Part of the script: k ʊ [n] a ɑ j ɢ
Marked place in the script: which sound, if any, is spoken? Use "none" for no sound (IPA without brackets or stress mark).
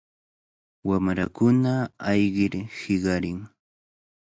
n